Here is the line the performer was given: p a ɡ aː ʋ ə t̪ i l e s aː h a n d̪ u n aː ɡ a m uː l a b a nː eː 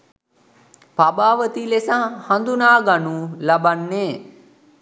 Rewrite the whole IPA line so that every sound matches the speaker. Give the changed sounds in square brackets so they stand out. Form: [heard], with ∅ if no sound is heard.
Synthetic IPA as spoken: p a [b] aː ʋ ə t̪ i l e s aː h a n d̪ u n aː ɡ a [n] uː l a b a nː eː